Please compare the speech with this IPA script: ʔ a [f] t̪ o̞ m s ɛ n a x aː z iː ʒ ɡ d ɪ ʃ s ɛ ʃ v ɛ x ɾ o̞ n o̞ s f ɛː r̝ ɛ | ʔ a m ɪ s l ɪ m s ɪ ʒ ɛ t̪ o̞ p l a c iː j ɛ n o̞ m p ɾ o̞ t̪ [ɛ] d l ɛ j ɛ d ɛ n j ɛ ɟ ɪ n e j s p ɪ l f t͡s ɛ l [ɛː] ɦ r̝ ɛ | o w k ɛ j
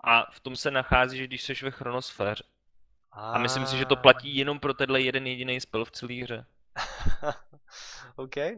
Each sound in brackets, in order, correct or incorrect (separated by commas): correct, correct, incorrect